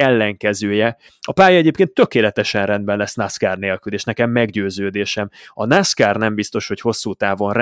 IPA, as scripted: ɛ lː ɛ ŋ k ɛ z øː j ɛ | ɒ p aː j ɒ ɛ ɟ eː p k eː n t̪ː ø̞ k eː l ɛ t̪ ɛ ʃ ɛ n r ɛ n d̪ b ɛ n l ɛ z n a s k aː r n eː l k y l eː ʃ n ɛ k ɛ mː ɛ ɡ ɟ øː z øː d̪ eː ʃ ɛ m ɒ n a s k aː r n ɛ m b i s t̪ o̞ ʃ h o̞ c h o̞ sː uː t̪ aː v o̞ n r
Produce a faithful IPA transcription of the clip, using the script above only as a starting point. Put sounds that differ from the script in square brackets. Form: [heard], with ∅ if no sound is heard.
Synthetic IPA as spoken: ɛ lː ɛ ŋ k ɛ z øː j ɛ | ɒ p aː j ɒ ɛ ɟ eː p k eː n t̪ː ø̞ k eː l ɛ t̪ ɛ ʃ ɛ n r ɛ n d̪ b ɛ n l ɛ [s] n a s k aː r n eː l k y l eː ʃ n ɛ k ɛ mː ɛ ɡ ɟ øː z øː d̪ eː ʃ ɛ m ɒ n a s k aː r n ɛ m b i s t̪ o̞ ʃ h o̞ c h o̞ sː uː t̪ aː v o̞ n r